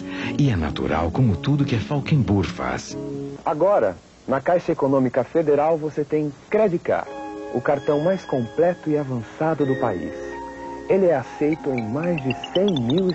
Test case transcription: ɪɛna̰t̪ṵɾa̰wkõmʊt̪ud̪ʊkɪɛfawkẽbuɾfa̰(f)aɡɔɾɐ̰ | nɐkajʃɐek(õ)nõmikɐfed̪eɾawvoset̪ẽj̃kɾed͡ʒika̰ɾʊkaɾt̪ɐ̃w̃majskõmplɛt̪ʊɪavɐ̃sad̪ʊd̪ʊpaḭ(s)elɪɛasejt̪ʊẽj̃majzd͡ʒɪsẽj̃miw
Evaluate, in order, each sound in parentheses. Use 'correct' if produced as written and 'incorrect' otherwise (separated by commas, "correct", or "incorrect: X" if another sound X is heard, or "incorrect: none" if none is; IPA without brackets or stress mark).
incorrect: s, incorrect: o, correct